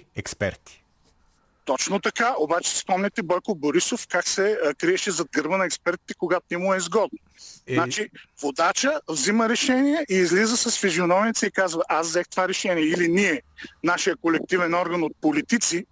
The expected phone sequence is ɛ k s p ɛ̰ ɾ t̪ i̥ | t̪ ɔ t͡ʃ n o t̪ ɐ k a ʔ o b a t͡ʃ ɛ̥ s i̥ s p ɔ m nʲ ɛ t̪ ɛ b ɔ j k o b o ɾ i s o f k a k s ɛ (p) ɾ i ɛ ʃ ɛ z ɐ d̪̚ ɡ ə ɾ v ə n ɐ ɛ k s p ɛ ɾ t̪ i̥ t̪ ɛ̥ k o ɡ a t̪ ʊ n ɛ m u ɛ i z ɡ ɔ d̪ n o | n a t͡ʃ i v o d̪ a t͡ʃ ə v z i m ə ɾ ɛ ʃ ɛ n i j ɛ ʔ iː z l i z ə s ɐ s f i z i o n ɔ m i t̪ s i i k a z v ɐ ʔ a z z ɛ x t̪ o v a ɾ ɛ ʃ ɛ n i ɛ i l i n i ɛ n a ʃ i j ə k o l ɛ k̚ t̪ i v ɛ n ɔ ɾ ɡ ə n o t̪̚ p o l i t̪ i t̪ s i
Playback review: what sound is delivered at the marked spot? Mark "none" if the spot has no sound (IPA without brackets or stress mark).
k